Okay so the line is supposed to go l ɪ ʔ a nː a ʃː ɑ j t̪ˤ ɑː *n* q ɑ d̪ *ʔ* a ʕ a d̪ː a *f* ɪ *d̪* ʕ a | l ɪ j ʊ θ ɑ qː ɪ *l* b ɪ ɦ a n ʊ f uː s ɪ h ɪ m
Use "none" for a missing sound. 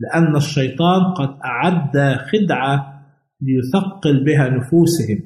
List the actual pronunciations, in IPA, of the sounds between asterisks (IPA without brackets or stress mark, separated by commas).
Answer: n, ʔ, x, d̪, l